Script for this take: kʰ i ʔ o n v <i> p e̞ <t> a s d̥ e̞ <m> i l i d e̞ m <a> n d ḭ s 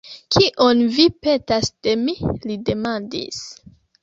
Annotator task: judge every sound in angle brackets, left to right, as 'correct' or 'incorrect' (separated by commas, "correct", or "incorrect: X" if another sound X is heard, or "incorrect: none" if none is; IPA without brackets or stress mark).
correct, correct, correct, correct